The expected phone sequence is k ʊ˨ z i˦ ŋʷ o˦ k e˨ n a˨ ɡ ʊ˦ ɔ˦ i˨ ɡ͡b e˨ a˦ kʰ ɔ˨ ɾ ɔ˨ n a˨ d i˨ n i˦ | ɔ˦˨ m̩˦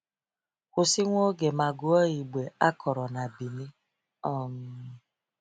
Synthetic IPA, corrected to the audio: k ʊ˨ s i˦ ŋʷ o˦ ɡ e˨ m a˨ ɡ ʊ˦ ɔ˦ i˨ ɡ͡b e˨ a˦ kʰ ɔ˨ ɾ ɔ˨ n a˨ b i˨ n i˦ | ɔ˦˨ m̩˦